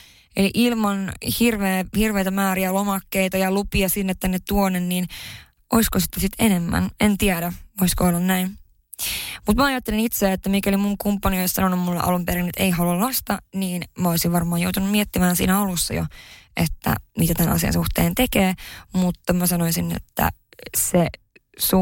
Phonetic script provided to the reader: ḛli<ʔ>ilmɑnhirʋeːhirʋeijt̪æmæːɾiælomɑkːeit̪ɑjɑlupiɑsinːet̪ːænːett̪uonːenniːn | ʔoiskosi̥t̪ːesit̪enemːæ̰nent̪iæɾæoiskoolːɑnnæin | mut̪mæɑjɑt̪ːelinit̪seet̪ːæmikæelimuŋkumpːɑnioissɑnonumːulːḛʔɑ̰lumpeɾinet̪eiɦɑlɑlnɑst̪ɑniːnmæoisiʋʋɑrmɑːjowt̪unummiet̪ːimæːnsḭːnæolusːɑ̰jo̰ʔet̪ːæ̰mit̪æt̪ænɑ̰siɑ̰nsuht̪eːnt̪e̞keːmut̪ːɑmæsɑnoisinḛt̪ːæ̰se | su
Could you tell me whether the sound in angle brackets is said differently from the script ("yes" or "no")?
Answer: no